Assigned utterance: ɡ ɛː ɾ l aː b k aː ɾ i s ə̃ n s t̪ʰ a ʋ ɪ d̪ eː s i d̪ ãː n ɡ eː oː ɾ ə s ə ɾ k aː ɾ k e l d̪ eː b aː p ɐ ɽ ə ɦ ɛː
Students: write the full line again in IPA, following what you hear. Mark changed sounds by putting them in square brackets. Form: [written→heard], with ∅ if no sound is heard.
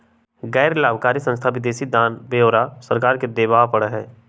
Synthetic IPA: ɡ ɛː ɾ l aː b k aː ɾ i s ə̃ n s t̪ʰ a ʋ ɪ d̪ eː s i d̪ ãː n [ɡ→b] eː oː ɾ [ə→a] s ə ɾ k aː ɾ k e [l→∅] d̪ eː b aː p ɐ ɽ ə ɦ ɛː